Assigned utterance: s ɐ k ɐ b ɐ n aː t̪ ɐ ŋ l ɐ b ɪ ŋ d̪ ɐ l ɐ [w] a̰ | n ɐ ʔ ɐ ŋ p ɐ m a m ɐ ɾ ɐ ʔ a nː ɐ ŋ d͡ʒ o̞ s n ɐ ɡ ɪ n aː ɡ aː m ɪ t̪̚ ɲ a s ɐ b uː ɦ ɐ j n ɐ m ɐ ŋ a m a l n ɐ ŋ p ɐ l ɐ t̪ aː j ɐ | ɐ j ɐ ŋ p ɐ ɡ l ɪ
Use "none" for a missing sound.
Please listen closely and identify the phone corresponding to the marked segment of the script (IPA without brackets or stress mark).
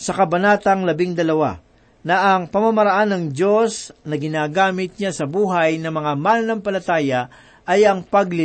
w